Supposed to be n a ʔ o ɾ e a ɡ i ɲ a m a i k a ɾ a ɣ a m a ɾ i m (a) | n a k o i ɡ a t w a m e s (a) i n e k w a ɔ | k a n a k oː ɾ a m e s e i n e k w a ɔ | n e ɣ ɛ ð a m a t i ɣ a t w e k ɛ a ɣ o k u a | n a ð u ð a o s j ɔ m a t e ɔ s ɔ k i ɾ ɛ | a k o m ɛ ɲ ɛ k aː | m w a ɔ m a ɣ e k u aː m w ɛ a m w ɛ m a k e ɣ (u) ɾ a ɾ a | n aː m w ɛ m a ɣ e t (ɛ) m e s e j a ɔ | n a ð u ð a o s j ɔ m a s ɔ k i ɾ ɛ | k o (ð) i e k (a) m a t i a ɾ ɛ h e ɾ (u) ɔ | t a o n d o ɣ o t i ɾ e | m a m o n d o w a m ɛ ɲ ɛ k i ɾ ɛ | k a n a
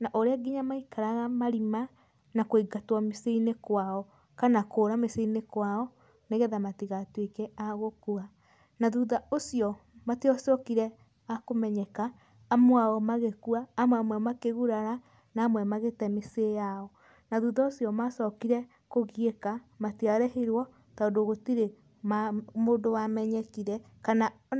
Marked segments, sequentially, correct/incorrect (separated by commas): correct, incorrect, correct, correct, incorrect, correct, incorrect